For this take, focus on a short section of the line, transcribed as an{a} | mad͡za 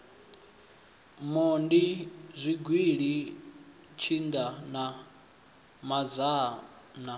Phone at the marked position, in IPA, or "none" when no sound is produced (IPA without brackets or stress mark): a